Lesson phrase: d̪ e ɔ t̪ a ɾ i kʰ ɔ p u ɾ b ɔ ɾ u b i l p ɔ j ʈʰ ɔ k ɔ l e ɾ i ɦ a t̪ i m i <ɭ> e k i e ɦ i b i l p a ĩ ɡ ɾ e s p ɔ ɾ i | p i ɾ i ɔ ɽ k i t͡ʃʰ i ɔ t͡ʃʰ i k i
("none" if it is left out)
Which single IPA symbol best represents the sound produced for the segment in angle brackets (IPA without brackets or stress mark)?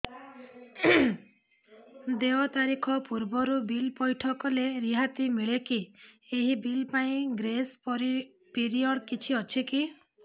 ɭ